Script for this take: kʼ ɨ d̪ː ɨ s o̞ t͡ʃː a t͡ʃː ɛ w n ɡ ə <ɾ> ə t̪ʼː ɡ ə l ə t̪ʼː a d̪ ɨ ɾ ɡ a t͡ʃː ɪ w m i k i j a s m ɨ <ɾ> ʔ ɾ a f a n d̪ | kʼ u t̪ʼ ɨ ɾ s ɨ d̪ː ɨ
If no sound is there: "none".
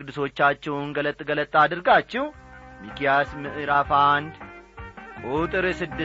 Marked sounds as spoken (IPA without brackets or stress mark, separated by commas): l, none